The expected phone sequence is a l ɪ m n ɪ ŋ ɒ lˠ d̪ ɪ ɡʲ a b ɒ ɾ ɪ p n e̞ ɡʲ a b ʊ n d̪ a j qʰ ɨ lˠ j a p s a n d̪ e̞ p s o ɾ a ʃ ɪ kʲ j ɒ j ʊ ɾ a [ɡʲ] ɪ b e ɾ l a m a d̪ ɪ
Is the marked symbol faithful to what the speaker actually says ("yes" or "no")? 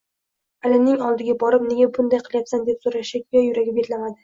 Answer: yes